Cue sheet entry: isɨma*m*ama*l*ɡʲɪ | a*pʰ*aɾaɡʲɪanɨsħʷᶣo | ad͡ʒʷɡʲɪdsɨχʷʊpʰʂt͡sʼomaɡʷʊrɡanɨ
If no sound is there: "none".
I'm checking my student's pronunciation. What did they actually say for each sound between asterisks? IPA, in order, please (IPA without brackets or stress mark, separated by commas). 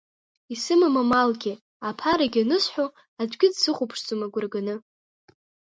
m, l, pʰ